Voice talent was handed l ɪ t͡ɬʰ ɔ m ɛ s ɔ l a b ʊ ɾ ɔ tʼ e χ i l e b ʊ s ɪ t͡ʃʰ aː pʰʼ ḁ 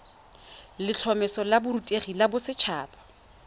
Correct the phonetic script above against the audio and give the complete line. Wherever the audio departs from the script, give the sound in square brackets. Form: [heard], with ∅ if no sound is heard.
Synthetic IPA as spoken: l ɪ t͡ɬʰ ɔ m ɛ s ɔ l a b ʊ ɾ [u] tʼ e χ i l [a] b ʊ s ɪ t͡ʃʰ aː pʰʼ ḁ